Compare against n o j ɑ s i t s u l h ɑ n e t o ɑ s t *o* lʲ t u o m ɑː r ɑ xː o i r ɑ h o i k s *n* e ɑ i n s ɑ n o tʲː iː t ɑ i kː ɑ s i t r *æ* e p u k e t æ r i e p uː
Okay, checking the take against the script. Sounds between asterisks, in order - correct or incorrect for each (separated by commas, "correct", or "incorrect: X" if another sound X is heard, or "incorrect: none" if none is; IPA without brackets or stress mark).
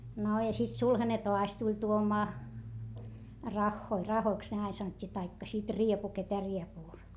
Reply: incorrect: u, correct, incorrect: i